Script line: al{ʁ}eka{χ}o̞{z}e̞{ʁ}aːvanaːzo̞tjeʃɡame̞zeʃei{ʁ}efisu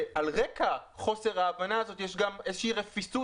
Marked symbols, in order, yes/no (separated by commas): yes, yes, no, yes, yes